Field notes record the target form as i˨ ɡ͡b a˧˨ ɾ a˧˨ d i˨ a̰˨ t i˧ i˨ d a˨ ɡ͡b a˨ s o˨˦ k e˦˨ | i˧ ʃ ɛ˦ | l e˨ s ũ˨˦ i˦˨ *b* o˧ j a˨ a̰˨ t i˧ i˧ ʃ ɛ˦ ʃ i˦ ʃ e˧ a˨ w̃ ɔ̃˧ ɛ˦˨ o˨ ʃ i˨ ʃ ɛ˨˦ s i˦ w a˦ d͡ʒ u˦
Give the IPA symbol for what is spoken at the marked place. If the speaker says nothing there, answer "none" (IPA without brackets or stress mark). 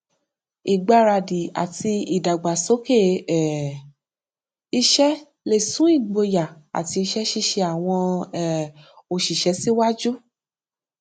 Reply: ɡ͡b